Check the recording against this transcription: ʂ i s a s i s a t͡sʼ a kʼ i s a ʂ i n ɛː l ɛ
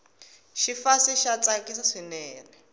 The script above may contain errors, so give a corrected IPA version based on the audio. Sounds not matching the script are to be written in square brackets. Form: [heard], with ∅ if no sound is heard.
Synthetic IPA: [ʃ] i [f] a s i [ʃ] a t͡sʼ a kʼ i s a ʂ i n ɛː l ɛ